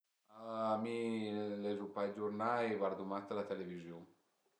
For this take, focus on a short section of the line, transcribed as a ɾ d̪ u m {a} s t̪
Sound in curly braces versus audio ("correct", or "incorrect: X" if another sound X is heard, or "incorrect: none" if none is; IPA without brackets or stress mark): correct